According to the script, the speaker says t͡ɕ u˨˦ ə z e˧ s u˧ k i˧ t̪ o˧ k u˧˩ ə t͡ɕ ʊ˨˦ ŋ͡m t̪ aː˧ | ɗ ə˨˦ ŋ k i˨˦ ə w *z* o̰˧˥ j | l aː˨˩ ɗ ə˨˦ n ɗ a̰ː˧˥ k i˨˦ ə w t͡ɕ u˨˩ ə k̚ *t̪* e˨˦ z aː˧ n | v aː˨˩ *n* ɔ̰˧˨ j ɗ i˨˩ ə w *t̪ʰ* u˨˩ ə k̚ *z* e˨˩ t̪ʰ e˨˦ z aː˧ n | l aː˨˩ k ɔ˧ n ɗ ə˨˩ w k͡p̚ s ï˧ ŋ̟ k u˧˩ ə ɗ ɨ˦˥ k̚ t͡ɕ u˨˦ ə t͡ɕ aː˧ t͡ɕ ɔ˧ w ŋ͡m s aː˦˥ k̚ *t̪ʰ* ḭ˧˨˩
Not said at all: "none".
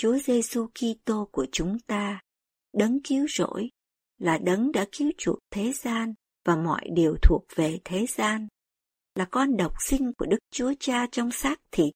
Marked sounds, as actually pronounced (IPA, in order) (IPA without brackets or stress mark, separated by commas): z, t̪ʰ, m, t̪ʰ, v, t̪ʰ